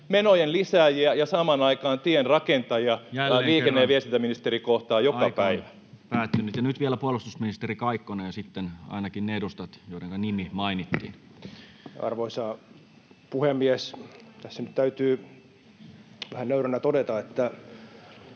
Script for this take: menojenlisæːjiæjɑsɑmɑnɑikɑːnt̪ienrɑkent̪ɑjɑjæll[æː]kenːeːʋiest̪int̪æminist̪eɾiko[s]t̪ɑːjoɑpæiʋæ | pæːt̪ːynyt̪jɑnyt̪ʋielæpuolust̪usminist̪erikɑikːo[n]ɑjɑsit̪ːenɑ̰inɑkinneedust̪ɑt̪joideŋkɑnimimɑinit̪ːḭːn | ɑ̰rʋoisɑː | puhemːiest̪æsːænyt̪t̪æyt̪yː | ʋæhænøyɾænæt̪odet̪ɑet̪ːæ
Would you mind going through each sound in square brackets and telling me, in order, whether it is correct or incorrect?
incorrect, incorrect, correct

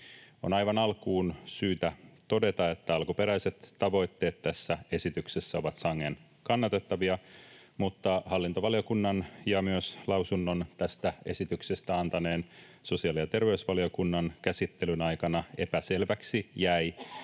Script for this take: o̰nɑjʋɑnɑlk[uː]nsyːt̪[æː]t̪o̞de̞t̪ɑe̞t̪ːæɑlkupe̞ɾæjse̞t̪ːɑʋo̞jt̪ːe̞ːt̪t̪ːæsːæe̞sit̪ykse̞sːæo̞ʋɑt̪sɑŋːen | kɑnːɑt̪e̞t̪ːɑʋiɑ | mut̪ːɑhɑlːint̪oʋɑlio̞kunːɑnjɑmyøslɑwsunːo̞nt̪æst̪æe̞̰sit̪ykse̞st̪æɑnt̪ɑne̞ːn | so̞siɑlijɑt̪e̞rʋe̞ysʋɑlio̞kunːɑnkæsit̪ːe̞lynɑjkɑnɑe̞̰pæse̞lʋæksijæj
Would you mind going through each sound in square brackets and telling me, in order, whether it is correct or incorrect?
correct, incorrect

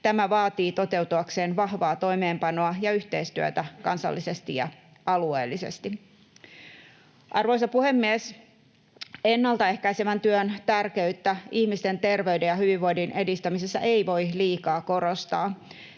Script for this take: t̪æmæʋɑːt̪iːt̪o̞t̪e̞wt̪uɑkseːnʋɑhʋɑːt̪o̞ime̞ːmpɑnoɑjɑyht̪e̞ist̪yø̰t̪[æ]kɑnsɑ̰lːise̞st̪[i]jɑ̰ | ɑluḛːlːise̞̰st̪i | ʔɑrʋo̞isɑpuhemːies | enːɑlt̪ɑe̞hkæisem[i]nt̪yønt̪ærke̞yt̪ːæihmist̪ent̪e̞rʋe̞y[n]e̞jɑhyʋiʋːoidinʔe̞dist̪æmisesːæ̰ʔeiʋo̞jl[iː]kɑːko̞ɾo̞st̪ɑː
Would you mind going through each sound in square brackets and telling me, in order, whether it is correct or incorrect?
correct, correct, incorrect, incorrect, correct

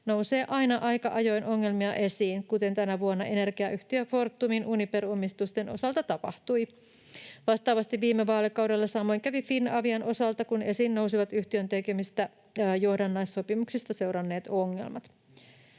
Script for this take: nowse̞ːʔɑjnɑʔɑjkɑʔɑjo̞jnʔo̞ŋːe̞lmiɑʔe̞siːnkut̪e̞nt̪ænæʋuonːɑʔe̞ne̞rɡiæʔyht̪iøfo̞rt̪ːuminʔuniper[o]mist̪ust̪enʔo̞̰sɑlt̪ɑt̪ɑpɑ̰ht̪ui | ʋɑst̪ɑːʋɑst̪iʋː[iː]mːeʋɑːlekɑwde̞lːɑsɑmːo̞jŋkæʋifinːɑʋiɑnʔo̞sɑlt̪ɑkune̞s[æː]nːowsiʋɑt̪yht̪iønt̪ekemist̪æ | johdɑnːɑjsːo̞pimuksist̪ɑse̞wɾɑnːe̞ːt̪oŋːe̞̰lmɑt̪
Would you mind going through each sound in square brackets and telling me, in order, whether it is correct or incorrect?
correct, correct, incorrect

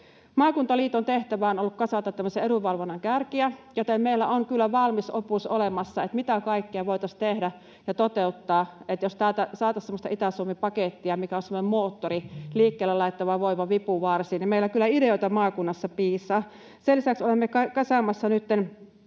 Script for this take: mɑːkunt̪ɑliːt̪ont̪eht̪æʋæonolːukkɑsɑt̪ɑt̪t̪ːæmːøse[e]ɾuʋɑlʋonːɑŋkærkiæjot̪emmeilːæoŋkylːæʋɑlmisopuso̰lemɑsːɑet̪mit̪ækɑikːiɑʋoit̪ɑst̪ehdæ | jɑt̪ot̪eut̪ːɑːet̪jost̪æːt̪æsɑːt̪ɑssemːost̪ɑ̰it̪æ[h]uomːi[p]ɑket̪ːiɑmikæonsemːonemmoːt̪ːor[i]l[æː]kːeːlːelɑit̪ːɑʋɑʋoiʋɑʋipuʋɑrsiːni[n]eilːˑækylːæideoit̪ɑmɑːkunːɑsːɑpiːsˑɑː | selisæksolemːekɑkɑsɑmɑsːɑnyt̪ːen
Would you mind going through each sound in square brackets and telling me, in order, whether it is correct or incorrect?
correct, incorrect, correct, correct, incorrect, incorrect

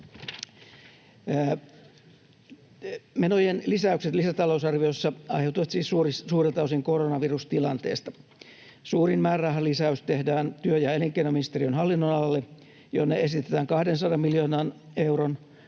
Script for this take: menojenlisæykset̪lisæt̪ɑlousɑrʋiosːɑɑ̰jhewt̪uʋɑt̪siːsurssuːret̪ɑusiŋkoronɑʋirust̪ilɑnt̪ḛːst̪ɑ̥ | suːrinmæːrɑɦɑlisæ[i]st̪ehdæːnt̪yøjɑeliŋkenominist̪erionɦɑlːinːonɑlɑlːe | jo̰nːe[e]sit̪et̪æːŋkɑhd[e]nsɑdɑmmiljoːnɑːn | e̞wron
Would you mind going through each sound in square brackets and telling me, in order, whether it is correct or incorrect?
incorrect, correct, correct

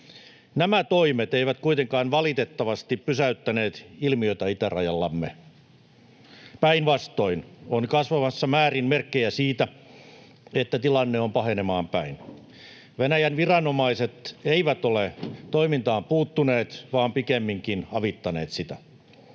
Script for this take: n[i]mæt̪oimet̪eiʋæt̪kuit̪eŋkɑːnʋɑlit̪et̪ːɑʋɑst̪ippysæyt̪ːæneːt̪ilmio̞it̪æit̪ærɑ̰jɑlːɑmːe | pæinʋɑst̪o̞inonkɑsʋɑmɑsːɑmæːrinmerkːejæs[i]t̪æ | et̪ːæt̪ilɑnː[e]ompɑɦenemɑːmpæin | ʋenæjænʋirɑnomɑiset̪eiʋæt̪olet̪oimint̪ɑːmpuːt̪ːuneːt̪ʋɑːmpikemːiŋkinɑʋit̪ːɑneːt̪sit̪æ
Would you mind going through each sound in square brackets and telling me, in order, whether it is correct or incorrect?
incorrect, incorrect, correct

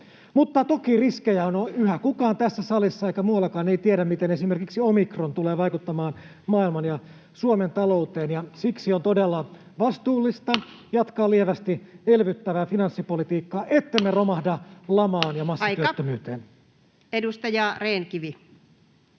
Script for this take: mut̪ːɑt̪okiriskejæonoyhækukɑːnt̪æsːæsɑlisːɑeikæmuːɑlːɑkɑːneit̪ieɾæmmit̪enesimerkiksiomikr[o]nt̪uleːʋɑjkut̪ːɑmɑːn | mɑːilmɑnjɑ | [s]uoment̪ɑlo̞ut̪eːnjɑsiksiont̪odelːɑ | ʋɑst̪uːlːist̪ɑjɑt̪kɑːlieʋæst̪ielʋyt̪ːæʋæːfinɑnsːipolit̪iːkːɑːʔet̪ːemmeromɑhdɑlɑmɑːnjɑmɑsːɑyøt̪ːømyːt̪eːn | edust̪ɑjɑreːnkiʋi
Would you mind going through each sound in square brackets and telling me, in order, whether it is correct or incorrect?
correct, correct

